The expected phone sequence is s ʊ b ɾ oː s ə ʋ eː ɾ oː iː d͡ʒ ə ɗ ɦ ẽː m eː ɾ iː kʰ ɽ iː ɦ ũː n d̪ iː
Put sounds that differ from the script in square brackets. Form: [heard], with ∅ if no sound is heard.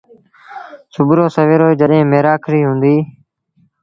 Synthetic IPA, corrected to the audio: s ʊ b ɾ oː s ə ʋ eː ɾ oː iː d͡ʒ ə ɗ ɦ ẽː m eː ɾ [aː] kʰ [ɾ] iː ɦ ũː n d̪ iː